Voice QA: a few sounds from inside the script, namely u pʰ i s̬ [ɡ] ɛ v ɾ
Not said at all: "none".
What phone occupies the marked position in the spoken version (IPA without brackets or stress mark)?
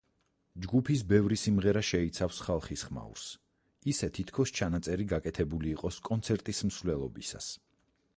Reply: b